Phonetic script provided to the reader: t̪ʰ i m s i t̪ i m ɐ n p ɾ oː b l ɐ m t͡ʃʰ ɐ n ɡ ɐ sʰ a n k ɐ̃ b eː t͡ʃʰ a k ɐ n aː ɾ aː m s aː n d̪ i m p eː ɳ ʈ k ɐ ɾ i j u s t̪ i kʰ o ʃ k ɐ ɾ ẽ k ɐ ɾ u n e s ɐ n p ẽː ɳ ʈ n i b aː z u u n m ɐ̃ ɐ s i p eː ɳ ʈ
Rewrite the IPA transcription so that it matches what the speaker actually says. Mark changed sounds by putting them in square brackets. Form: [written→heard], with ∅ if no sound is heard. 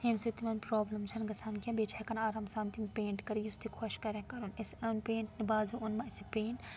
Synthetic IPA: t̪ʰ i m s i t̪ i m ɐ n p ɾ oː b l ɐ m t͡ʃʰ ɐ n ɡ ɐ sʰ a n k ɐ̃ b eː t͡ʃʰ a k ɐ n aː ɾ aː m s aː n [d̪→t̪] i m p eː ɳ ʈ k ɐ ɾ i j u s t̪ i kʰ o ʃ k ɐ ɾ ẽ k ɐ ɾ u n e s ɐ n p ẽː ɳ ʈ n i b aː z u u n m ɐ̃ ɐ s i p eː ɳ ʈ